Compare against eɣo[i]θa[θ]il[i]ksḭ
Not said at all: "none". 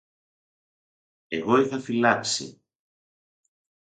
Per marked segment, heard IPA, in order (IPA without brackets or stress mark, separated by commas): j, f, a